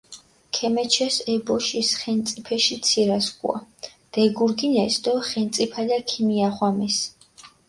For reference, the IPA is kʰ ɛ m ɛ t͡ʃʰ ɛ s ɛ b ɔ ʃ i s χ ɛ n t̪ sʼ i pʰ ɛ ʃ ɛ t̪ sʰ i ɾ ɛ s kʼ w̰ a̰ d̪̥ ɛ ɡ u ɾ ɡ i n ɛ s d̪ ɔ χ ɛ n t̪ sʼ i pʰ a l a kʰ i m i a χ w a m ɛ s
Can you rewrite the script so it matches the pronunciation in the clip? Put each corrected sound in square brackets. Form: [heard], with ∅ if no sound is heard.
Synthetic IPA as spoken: kʰ ɛ m ɛ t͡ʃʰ ɛ s ɛ b ɔ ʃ i s χ ɛ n t̪ sʼ i pʰ ɛ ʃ [i] t̪ sʰ i ɾ [a] s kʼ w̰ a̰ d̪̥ ɛ ɡ u ɾ ɡ i n ɛ s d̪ ɔ χ ɛ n t̪ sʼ i pʰ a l a kʰ i m i a χ w a m ɛ s